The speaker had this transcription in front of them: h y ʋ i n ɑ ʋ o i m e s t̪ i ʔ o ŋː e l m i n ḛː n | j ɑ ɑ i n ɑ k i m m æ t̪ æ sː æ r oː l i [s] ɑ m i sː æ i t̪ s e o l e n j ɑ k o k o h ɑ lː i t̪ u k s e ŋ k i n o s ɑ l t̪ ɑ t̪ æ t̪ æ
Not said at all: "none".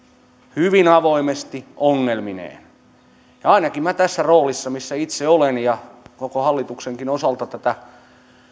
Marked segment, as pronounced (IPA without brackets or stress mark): sː